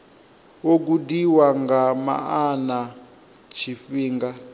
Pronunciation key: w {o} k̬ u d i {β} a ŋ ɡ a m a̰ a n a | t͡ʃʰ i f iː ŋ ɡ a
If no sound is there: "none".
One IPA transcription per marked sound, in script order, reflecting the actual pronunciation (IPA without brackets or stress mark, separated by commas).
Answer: o, w